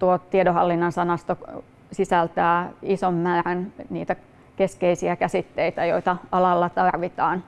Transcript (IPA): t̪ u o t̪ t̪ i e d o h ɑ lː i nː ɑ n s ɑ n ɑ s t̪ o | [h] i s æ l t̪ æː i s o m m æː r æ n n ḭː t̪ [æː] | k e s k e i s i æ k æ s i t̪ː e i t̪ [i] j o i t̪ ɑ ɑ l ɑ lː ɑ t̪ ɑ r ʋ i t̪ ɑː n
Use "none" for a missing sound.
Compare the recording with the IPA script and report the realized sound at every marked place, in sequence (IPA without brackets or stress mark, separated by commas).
s, æ, æ